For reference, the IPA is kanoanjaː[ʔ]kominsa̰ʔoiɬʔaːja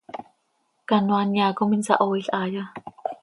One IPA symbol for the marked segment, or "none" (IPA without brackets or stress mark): none